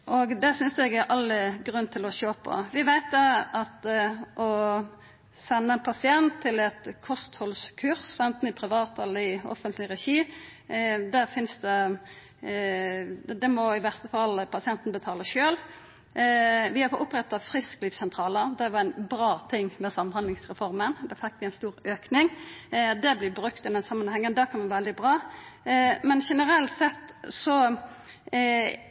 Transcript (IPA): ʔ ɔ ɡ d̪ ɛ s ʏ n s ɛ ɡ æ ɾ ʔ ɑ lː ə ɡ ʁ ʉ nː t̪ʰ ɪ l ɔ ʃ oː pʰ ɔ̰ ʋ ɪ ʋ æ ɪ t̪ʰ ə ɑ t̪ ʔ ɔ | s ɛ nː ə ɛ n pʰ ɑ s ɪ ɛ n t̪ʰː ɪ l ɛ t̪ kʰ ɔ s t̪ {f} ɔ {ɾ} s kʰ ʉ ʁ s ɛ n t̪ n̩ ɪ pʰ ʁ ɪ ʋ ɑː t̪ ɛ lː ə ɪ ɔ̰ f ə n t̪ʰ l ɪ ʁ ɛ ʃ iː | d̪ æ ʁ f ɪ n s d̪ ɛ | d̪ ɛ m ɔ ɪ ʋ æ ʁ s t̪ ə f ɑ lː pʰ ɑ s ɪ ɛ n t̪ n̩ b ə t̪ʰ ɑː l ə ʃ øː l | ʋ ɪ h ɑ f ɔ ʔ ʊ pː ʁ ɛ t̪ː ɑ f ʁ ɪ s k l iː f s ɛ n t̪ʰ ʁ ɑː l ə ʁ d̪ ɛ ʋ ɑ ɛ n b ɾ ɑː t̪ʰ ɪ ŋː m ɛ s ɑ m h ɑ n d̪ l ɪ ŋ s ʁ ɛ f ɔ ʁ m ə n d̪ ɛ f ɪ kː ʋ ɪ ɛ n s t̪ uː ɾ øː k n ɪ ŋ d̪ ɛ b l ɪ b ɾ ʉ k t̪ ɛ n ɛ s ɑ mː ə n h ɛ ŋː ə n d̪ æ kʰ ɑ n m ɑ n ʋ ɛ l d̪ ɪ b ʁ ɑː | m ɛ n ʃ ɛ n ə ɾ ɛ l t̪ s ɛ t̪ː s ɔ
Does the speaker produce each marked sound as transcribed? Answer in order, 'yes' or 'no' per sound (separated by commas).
no, no